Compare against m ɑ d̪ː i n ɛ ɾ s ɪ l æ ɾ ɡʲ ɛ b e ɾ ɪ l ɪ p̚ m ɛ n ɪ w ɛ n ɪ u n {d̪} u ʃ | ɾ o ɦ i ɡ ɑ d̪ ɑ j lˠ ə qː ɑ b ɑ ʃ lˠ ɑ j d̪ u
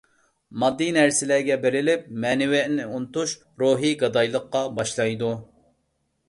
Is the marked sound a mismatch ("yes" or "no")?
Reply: yes